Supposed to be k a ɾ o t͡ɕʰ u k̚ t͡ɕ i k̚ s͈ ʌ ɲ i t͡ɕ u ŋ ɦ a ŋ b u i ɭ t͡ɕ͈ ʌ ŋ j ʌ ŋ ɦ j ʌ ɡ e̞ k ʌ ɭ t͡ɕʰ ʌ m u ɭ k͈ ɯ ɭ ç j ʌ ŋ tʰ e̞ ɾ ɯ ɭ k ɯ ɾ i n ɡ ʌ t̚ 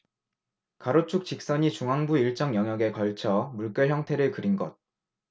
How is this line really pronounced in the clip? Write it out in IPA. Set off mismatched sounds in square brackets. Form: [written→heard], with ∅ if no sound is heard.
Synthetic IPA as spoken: k a ɾ o t͡ɕʰ u k̚ t͡ɕ i k̚ s͈ ʌ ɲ i t͡ɕ u ŋ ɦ a ŋ b u i ɭ t͡ɕ͈ ʌ ŋ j ʌ ŋ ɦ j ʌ ɡ e̞ k ʌ ɭ t͡ɕʰ ʌ m u ɭ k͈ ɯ ɭ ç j ʌ ŋ tʰ e̞ ɾ ɯ ɭ k ɯ ɾ i n ɡ ʌ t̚